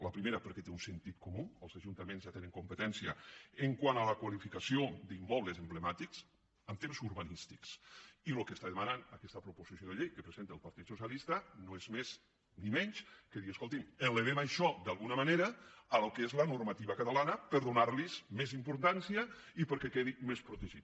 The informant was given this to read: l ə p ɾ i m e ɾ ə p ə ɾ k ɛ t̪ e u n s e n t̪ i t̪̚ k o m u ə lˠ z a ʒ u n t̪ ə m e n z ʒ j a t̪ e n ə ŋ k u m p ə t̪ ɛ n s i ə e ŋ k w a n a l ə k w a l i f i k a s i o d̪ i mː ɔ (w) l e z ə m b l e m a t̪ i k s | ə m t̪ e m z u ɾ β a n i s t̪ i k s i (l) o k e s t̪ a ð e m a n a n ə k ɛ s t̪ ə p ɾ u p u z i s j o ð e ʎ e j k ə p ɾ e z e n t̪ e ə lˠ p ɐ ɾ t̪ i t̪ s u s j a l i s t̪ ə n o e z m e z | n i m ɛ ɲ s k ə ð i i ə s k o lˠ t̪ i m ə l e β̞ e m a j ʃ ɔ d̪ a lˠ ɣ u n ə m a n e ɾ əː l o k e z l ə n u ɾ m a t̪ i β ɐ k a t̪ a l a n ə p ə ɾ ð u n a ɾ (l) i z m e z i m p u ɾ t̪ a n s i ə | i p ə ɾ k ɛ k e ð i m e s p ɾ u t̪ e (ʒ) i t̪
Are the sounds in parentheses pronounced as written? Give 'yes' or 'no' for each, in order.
no, yes, yes, yes

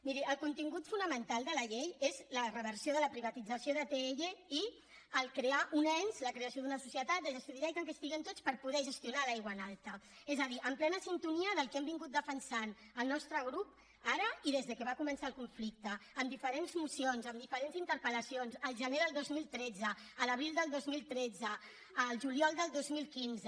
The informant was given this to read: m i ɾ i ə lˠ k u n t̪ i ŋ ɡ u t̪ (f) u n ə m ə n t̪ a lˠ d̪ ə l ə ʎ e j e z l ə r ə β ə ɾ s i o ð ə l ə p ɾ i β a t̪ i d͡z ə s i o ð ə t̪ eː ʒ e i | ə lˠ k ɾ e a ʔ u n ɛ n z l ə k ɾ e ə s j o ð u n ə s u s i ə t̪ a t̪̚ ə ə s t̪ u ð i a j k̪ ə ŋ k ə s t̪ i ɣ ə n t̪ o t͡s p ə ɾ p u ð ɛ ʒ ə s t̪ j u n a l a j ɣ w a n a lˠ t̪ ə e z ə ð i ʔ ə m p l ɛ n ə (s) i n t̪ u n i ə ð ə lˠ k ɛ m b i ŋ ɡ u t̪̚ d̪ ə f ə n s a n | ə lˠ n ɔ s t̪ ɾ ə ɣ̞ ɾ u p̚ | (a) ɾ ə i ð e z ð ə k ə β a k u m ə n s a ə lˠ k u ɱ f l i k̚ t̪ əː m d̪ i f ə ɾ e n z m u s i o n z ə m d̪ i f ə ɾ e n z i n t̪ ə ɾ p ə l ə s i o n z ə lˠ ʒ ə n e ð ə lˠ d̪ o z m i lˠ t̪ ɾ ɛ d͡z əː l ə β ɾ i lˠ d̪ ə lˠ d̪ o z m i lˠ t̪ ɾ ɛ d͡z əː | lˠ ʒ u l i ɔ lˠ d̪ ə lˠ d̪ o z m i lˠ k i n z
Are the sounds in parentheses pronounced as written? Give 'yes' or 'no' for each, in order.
yes, yes, yes

